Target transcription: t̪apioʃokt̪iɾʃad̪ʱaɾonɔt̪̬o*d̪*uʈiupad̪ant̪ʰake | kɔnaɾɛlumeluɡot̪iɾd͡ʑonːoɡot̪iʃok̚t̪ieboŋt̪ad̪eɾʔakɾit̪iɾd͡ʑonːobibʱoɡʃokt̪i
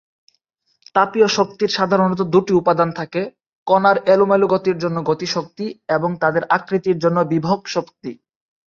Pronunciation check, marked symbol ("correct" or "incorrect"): correct